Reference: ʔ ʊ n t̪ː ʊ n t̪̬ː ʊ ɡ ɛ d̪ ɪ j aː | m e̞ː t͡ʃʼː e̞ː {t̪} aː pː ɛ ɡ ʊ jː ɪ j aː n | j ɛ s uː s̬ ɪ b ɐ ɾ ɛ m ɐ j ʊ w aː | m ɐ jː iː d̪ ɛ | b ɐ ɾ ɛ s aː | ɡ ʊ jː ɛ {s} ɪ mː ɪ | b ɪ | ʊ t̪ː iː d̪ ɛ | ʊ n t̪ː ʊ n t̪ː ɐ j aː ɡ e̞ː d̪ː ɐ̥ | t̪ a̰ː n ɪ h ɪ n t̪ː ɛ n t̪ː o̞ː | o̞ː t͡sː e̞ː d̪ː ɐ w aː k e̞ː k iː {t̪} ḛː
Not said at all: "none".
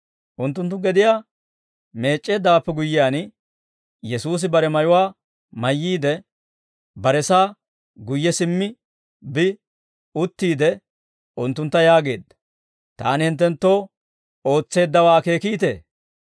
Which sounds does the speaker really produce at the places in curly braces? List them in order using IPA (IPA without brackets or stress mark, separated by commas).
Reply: d̪, s, t̪